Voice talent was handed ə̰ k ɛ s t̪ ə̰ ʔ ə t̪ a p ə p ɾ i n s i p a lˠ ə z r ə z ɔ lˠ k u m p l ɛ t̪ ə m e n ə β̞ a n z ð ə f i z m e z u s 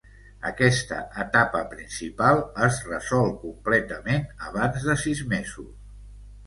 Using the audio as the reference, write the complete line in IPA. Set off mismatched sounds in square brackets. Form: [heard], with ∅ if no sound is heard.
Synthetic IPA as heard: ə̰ k ɛ s t̪ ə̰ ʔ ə t̪ a p ə p ɾ i n s i p a lˠ ə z r ə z ɔ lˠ k u m p l ɛ t̪ ə m e n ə β̞ a n z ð ə [s] i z m e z u s